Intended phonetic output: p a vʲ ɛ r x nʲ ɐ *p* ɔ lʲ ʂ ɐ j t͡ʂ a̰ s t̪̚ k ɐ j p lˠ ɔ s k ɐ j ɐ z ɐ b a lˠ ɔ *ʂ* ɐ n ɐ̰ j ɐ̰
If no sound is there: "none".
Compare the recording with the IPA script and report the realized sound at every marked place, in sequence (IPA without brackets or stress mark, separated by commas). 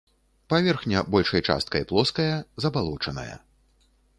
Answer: b, t͡ʂ